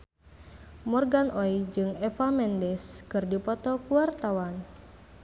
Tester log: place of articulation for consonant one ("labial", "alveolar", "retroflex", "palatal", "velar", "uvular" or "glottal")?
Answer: labial